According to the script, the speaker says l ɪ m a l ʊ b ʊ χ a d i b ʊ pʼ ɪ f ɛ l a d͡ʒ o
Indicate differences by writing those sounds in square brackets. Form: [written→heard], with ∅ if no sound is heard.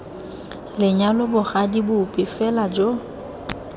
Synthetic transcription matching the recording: l ɪ [m→ɲ] a l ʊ b ʊ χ a d i b ʊ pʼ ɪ f ɛ l a d͡ʒ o